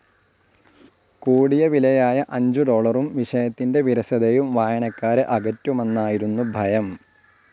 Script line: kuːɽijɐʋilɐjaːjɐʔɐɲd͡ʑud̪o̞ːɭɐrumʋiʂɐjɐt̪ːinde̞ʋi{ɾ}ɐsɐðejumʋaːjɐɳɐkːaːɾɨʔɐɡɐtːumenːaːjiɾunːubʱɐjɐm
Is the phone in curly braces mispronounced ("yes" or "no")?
no